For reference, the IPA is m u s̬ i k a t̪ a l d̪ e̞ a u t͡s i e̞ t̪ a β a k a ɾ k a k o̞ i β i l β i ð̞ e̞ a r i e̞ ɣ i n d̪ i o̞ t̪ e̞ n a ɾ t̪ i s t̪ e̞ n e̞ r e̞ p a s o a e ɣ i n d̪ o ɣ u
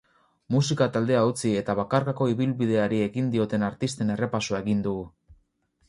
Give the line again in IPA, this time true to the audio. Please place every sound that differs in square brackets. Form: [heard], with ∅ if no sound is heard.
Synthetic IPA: m u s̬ i k a t̪ a l d̪ e̞ a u t͡s i e̞ t̪ a β a k a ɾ k a k o̞ i β i l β i ð̞ e̞ a [ɾ] i e̞ ɣ i n d̪ i o̞ t̪ e̞ n a ɾ t̪ i s t̪ e̞ n e̞ r e̞ p a s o a e ɣ i n d̪ [u] ɣ u